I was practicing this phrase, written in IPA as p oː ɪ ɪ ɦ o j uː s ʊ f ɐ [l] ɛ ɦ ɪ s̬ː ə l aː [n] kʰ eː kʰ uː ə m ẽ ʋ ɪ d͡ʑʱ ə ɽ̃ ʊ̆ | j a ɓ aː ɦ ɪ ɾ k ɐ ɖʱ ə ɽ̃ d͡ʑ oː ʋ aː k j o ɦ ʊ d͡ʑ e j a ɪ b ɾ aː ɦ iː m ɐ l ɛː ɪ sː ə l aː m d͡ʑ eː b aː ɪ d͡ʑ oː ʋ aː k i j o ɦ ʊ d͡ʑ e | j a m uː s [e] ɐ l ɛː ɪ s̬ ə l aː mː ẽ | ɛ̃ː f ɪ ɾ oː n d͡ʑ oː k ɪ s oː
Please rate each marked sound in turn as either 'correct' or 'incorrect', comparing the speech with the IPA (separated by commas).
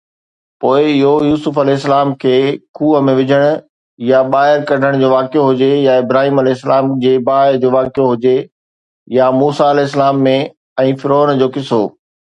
correct, incorrect, incorrect